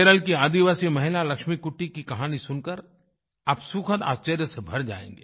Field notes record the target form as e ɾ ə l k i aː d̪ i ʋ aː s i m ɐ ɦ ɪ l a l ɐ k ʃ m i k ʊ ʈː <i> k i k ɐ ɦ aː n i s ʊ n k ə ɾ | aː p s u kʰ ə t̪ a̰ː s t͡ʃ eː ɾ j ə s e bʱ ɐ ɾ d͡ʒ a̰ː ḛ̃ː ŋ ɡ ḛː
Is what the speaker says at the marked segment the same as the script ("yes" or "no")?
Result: yes